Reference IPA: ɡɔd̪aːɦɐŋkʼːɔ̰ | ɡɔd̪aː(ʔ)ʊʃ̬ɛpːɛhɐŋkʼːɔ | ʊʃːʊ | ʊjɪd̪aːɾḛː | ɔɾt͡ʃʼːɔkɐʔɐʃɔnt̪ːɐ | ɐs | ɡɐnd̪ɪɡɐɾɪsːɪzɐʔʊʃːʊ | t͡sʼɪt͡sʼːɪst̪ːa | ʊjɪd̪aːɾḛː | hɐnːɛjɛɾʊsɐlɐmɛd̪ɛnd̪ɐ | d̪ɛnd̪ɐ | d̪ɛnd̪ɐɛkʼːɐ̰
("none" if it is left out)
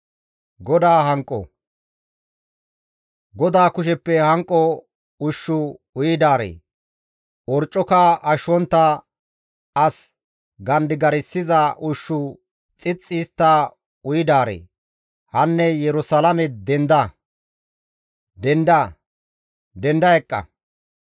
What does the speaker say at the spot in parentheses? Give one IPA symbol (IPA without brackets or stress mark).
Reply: k